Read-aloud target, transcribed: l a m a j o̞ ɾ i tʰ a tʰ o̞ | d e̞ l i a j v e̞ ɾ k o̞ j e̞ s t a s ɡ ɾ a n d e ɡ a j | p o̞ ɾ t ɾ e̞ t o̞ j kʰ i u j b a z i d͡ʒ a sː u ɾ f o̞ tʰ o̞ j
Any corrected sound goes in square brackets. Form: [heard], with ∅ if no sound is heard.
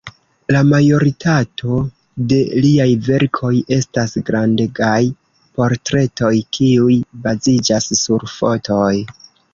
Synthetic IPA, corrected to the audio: l a m a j o̞ ɾ i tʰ a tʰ o̞ | d e̞ l i a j v e̞ ɾ [kʰ] o̞ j e̞ s t a s ɡ ɾ a n d e ɡ a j | p o̞ ɾ t ɾ e̞ t o̞ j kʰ i u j b a z i d͡ʒ a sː u ɾ f o̞ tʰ o̞ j